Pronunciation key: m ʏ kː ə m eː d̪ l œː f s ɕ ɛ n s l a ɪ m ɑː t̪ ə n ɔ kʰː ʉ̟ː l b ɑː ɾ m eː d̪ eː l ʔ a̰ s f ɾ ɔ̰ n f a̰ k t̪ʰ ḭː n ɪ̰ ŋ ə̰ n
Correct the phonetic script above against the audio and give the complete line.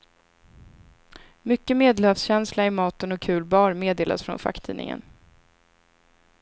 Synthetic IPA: m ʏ kː ə m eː d̪ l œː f s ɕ ɛ n s l a ɪ m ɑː t̪ ə n ɔ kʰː ʉ̟ː l b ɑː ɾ m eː d̪ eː l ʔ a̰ s f ɾ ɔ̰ n f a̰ k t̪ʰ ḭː n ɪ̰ ŋ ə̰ n